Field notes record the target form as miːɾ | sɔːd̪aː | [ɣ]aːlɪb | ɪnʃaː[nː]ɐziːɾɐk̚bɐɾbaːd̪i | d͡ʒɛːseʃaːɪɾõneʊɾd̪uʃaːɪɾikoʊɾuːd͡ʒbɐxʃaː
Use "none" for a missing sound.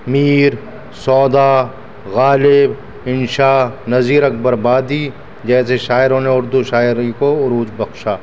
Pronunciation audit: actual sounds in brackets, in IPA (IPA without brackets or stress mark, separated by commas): ɣ, n